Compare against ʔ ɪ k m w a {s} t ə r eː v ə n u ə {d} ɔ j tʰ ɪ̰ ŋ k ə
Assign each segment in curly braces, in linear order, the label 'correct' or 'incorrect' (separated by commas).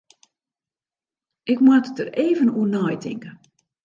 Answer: incorrect, incorrect